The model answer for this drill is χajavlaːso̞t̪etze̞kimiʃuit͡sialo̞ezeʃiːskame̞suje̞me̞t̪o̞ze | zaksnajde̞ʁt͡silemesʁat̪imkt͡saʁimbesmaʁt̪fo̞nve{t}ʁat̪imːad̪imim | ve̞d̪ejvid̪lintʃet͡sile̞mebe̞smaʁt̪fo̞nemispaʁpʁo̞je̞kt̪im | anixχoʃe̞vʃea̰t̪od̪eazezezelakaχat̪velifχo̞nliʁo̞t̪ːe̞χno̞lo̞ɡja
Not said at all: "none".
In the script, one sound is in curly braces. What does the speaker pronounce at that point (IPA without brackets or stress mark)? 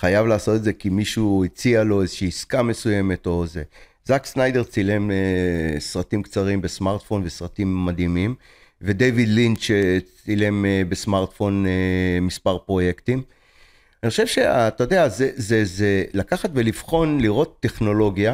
s